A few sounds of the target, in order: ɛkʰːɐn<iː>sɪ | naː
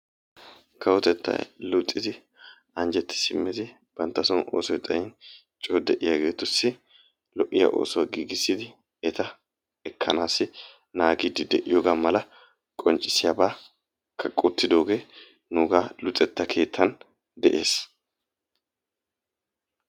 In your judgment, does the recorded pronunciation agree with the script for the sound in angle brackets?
no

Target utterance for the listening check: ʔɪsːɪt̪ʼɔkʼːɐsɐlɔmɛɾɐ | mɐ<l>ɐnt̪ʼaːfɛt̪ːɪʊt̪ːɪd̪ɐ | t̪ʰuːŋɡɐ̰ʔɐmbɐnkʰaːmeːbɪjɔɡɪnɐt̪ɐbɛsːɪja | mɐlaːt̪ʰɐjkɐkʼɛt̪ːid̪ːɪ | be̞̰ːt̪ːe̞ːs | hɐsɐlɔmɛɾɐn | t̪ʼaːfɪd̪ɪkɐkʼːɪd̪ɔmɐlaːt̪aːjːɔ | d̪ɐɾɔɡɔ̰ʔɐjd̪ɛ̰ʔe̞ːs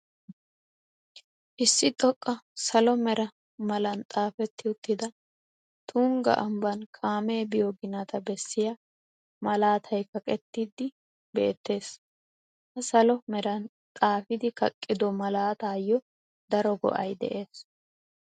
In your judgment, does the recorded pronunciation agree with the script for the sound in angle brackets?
yes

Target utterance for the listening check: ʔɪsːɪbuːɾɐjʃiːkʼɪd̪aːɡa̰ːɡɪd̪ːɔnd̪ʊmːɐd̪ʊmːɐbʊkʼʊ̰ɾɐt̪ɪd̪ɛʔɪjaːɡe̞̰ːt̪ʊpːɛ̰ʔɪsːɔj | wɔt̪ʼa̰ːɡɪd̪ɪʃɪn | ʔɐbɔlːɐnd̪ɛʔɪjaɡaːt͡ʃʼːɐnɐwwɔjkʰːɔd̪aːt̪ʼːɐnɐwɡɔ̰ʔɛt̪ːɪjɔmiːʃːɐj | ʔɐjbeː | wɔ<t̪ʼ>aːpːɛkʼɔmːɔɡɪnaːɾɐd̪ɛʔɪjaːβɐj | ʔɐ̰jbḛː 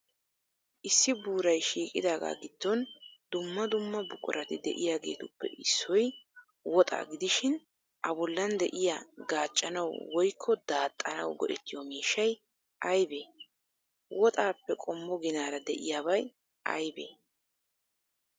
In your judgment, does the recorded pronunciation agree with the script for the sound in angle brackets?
yes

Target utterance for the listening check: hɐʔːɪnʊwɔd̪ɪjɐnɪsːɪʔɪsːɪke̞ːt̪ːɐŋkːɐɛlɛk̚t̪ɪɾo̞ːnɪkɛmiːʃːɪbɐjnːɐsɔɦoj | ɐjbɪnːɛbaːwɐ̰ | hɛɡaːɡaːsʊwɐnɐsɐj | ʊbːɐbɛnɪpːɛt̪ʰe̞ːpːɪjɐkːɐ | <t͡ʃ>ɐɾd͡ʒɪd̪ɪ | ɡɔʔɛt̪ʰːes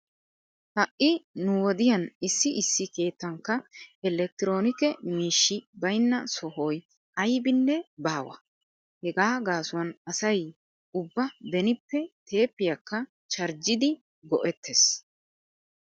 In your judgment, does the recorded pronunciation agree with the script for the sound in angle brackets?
yes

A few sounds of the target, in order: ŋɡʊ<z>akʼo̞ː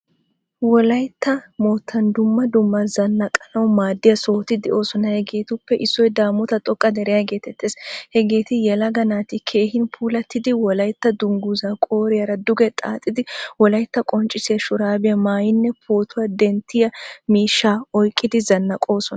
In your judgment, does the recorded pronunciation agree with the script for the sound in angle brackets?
yes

